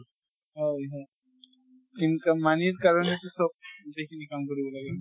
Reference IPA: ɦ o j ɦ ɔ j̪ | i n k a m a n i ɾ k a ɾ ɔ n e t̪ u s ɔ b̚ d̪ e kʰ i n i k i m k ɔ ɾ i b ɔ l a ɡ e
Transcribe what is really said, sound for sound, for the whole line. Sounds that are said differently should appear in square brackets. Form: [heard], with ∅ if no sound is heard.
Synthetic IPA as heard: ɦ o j ɦ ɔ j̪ | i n k a m a n i ɾ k a ɾ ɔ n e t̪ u s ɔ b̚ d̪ e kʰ i n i k [a] m k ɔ ɾ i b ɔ l a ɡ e